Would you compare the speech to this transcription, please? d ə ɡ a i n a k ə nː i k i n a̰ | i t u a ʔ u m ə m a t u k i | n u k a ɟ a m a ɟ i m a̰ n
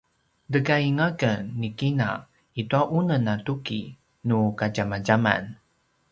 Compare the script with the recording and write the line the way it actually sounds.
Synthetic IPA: d ə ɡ a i ŋ a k ə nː i k i n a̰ | i t u a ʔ u n ə n a t u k i | n u k a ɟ a m a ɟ a m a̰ n